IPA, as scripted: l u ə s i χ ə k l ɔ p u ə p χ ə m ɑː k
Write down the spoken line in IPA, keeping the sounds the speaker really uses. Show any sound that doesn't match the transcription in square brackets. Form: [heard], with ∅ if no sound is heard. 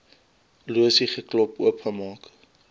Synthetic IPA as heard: l u ə s i χ ə k l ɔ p u ə p χ ə m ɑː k